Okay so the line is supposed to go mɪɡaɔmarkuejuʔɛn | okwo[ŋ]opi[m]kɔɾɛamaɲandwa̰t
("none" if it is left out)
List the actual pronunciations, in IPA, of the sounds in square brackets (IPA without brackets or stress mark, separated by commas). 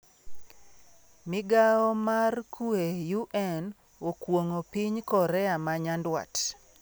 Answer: ŋ, ɲ